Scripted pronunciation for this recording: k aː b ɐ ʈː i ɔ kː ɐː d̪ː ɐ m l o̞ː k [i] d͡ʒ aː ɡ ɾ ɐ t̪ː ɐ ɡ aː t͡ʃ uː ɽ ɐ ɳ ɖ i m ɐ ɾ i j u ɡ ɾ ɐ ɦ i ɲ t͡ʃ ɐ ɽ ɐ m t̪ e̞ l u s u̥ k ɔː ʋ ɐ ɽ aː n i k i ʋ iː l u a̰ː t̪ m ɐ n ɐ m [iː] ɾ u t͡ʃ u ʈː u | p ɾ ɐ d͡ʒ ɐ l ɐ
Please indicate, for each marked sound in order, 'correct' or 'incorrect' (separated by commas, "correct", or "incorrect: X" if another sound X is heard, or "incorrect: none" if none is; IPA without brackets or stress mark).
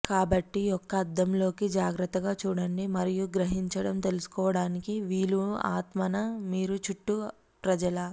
correct, correct